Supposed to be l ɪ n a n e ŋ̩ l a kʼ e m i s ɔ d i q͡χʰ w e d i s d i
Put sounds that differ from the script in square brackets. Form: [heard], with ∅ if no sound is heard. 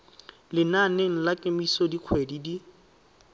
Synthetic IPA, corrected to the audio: l ɪ n a n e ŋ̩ l a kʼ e m i s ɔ d i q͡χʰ w e d i [∅] d i